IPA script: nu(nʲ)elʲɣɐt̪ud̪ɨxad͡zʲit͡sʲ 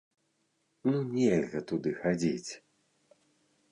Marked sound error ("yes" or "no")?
no